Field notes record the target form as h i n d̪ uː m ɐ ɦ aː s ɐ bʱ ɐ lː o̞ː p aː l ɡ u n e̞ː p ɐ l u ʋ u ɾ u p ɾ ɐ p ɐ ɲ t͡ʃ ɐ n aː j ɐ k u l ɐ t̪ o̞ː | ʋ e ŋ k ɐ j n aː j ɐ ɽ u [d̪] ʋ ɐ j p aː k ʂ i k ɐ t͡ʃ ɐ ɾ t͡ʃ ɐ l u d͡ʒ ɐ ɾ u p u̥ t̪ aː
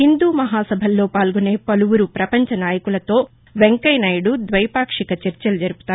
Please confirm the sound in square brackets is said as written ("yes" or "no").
yes